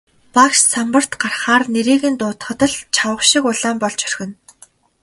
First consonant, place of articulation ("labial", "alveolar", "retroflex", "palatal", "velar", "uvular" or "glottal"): labial